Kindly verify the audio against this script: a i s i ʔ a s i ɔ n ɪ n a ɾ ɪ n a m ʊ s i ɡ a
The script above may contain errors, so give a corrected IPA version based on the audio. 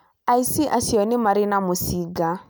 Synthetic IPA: a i s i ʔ a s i ɔ n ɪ m a ɾ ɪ n a m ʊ s i ɡ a